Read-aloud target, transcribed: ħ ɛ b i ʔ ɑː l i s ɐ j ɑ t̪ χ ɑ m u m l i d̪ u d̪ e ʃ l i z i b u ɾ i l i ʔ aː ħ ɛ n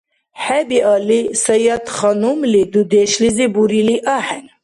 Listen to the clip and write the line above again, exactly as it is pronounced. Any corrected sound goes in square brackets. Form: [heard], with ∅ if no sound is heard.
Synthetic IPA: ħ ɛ b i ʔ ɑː l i s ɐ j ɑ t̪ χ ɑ [n] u m l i d̪ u d̪ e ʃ l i z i b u ɾ i l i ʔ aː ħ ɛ n